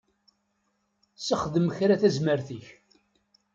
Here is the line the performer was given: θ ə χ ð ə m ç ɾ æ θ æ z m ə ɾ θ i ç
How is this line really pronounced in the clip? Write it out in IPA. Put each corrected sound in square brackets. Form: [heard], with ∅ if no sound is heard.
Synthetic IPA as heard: [s] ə χ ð ə m ç ɾ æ θ æ z m ə ɾ θ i ç